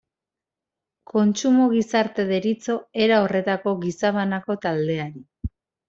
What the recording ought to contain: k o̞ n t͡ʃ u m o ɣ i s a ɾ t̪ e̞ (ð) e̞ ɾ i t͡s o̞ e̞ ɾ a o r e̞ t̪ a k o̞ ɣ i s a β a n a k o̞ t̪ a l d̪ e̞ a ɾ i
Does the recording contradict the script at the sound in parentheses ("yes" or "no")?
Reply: no